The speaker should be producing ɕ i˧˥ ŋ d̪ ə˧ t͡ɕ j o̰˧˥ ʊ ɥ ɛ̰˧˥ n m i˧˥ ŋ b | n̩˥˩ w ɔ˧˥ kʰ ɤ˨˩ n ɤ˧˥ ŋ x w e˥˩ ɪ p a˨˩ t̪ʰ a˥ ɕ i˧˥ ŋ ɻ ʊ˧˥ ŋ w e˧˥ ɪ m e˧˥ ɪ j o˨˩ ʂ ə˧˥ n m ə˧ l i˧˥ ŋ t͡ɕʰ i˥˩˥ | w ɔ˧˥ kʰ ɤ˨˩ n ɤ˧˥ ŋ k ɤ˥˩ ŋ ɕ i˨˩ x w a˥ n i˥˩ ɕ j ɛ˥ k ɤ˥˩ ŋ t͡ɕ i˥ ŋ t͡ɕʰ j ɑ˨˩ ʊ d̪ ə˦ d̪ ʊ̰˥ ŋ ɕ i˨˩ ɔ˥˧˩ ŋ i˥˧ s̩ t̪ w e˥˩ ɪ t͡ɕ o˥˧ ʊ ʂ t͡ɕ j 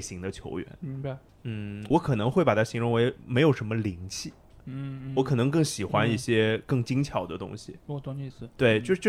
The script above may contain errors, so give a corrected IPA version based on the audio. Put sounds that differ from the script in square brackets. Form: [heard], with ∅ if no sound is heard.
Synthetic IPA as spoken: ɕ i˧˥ ŋ d̪ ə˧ [t͡ɕʰ] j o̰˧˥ ʊ ɥ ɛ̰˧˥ n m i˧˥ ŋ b | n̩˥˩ w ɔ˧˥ kʰ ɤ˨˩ n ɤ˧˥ ŋ x w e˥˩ ɪ p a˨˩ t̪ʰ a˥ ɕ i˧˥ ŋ ɻ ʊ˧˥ ŋ w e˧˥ ɪ m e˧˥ ɪ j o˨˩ ʂ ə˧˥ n m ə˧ l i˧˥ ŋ t͡ɕʰ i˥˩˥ | w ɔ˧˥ kʰ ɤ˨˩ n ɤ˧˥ ŋ k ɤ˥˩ ŋ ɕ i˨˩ x w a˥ n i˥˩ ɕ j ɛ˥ k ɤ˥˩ ŋ t͡ɕ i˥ ŋ t͡ɕʰ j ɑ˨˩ ʊ d̪ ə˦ [t̪] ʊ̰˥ ŋ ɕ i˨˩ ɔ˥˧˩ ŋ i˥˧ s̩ t̪ w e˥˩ ɪ t͡ɕ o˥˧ ʊ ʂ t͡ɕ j